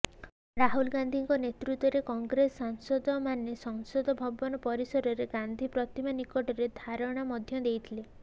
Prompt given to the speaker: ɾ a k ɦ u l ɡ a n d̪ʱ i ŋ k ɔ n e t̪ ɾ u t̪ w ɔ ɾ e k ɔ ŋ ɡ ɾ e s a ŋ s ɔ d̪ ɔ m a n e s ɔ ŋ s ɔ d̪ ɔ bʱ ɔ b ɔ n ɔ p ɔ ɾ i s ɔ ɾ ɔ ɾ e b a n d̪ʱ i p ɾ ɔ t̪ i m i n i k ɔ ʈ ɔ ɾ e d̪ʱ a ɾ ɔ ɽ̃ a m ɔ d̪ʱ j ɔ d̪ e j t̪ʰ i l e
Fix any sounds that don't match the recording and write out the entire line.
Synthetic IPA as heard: ɾ a ɦ u l ɡ a n d̪ʱ i ŋ k ɔ n e t̪ ɾ u t̪ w ɔ ɾ e k ɔ ŋ ɡ ɾ e s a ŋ s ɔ d̪ ɔ m a n e s ɔ ŋ s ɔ d̪ ɔ bʱ ɔ b ɔ n ɔ p ɔ ɾ i s ɔ ɾ ɔ ɾ e ɡ a n d̪ʱ i p ɾ ɔ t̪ i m a n i k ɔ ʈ ɔ ɾ e d̪ʱ a ɾ ɔ ɽ̃ a m ɔ d̪ʱ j ɔ d̪ e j t̪ʰ i l e